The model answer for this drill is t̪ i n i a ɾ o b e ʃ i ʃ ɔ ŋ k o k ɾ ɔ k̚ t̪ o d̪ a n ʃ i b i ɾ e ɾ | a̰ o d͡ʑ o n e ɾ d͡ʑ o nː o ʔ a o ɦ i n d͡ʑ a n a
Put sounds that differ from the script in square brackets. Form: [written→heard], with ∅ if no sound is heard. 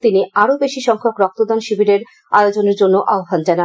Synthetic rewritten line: t̪ i n i a ɾ o b e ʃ i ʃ ɔ ŋ [k→kʰ] o k ɾ ɔ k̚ t̪ o d̪ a n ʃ i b i ɾ e ɾ | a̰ o d͡ʑ o n e ɾ d͡ʑ o nː o ʔ a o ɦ [i→a] n d͡ʑ a n a